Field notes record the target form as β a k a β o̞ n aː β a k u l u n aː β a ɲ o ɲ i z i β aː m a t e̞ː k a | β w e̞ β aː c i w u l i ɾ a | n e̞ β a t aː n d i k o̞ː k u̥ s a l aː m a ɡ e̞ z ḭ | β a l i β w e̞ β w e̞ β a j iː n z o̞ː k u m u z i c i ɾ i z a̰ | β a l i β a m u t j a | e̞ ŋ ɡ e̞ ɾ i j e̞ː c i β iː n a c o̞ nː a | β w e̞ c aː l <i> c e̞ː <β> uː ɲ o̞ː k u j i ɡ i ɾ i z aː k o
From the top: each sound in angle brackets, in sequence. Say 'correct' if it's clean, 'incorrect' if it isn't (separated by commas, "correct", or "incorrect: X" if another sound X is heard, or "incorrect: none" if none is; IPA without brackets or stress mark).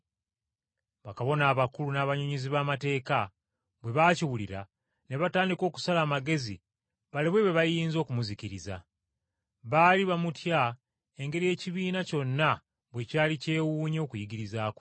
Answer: correct, incorrect: w